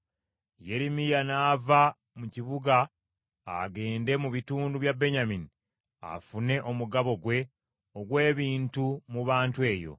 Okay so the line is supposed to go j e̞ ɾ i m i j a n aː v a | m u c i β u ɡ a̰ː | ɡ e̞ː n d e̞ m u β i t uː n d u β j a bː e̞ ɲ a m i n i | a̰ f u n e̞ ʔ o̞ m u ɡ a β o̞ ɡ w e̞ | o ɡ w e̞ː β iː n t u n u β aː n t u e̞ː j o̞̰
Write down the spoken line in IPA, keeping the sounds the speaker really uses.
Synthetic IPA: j e̞ ɾ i m i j a n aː v a | m u c i β u ɡ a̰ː | ɡ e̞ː n d e̞ m u β i t uː n d u β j a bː e̞ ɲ a m i n i | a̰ f u n e̞ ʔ o̞ m u ɡ a β o̞ ɡ w e̞ | o ɡ w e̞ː β iː n t u m u β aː n t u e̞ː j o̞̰